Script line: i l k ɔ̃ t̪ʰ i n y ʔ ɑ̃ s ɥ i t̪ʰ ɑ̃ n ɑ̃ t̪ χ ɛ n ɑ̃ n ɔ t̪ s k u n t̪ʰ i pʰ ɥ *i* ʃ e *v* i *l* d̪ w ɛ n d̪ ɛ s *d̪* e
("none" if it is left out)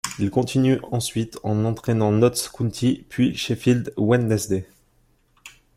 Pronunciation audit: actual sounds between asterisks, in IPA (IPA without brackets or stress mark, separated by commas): i, f, l, d̪